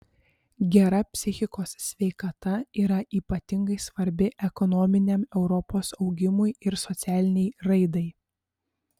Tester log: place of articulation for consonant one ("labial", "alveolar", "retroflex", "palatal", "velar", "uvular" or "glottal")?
velar